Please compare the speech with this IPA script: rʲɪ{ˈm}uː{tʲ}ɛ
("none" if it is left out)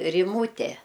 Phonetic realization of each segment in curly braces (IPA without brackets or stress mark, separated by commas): m, tʲ